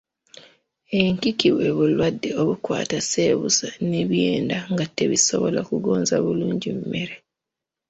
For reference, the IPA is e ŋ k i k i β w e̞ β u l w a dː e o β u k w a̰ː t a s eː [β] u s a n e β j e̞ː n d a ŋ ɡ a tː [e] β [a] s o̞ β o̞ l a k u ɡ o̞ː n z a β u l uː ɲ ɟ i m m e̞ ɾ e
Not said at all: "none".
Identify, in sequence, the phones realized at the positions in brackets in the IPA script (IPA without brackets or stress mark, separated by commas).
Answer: β, e, i